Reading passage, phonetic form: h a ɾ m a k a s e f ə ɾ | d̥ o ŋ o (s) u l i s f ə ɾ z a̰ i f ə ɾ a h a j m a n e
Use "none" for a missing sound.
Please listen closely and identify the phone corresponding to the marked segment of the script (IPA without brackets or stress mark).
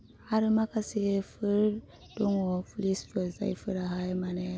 f